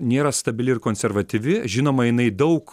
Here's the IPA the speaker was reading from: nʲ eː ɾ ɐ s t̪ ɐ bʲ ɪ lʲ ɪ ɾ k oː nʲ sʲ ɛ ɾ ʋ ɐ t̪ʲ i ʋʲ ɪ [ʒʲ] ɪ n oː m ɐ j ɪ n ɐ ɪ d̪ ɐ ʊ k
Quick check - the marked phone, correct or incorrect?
correct